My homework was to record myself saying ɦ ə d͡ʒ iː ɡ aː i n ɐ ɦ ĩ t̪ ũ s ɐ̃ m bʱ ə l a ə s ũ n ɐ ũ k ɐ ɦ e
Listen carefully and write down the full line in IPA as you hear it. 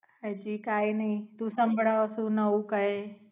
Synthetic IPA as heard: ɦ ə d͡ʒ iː k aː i n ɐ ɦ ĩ t̪ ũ s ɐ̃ m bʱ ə ɽ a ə s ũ n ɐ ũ k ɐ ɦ e

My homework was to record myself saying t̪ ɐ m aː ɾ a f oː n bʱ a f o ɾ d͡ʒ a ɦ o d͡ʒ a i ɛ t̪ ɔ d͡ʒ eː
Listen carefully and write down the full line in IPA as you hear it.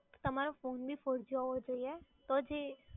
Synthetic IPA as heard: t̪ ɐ m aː ɾ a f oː n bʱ i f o ɾ d͡ʒ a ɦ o d͡ʒ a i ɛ t̪ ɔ d͡ʒ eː

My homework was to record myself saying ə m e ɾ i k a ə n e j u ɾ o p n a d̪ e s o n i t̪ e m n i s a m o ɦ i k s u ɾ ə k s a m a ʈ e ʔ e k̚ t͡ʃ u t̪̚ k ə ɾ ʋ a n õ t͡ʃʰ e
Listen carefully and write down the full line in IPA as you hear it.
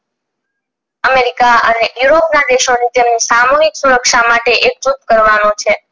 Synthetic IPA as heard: ə m e ɾ i k a ə n e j u ɾ o p n a d̪ e ʃ o n i t̪ e m n i s a m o ɦ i k s u ɾ ə k ʃ a m a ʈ e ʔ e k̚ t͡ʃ u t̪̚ k ə ɾ ʋ a n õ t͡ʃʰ e

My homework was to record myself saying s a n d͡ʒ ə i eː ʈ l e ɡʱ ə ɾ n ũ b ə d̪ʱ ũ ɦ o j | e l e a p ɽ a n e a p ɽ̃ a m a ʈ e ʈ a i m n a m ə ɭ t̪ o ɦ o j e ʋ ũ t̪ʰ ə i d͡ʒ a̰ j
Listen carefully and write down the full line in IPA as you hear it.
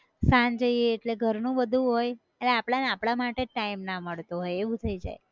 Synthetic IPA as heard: s a n d͡ʒ ə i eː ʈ l e ɡʱ ə ɾ n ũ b ə d̪ʱ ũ ɦ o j | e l e a p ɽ a n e a p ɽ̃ a m a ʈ e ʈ a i m n a m ə ɭ t̪ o ɦ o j e ʋ ũ t̪ʰ ə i d͡ʒ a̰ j

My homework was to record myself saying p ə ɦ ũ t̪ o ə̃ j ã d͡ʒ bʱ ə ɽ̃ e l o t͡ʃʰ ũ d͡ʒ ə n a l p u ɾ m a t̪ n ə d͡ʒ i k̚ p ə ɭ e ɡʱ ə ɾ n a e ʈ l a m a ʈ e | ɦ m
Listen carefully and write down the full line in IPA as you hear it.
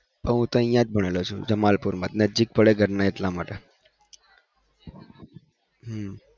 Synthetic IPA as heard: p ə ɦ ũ t̪ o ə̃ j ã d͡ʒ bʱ ə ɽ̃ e l o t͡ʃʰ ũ d͡ʒ ə m a l p u ɾ m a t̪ n ə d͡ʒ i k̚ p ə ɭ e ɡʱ ə ɾ n a e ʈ l a m a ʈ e | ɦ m

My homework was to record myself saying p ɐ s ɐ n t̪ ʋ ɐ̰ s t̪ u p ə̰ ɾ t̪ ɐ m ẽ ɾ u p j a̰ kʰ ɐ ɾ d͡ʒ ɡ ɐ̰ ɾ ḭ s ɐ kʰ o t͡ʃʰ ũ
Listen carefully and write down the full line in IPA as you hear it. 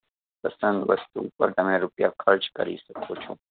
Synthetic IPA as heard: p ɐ s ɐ n d̪ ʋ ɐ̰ s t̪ u p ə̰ ɾ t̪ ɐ m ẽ ɾ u p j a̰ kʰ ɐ ɾ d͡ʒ k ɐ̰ ɾ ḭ s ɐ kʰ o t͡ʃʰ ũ

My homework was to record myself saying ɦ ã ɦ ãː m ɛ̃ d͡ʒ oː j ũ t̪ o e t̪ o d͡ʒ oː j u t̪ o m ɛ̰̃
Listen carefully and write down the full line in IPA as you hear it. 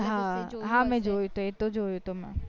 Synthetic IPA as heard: ɦ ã ɦ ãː m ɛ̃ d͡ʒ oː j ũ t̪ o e t̪ o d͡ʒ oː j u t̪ o m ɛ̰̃

